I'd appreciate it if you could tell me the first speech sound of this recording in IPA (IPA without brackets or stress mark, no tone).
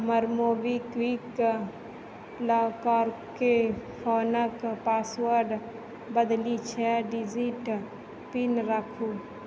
m